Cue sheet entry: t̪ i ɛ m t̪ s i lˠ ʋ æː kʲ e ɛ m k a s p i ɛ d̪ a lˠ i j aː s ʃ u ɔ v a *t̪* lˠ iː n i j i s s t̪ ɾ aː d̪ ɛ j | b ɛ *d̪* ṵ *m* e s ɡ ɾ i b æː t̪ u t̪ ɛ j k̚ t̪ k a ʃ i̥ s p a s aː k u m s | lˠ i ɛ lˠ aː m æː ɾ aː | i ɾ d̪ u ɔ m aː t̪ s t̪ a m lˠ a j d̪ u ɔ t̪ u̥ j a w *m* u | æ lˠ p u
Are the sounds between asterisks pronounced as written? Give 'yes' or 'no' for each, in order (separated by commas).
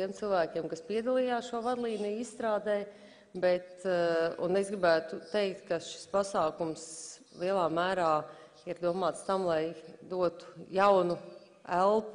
no, no, no, no